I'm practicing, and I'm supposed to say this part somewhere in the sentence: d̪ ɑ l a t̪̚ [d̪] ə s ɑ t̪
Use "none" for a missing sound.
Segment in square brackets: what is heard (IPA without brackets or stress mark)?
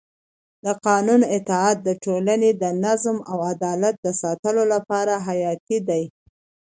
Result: d̪